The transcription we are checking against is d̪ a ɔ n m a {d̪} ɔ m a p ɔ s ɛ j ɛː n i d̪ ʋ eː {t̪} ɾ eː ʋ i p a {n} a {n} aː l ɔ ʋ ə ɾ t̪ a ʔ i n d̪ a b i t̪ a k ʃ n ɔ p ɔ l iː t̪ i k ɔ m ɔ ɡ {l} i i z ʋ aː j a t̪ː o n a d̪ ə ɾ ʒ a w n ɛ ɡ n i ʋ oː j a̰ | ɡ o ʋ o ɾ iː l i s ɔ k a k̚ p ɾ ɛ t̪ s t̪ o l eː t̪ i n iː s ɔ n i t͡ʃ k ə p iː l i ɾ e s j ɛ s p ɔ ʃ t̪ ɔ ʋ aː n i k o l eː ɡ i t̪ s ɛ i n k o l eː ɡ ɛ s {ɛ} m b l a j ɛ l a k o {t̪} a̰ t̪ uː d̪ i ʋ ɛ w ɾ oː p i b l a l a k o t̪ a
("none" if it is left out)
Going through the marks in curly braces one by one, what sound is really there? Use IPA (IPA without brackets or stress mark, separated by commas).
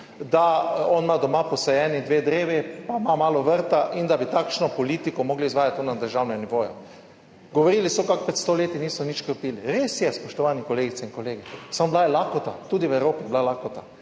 d̪, d̪, m, m, l, a, t̪